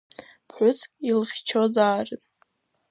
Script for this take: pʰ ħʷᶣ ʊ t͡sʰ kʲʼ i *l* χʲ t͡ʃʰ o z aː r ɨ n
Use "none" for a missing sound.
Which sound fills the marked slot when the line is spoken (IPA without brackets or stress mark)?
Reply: l